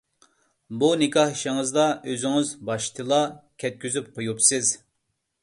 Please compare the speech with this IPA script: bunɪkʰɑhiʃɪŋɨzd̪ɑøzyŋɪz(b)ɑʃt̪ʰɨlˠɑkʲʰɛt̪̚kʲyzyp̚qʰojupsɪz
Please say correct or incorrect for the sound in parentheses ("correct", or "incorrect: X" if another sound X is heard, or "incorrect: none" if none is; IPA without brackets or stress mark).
correct